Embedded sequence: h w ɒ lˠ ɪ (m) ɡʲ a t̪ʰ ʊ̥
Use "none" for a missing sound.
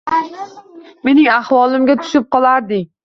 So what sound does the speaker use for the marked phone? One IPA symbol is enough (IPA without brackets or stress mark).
m